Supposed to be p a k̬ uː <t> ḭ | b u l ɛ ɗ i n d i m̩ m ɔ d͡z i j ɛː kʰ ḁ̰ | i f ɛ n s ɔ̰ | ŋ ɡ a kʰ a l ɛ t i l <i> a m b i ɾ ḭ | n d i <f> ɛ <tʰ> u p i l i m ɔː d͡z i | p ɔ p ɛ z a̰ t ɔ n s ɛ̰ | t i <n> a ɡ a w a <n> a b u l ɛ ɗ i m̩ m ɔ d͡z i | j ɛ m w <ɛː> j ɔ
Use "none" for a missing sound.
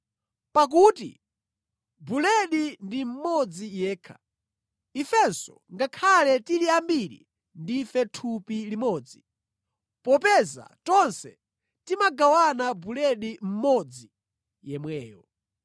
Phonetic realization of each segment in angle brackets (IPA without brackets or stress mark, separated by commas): t, i, f, tʰ, m, n, ɛː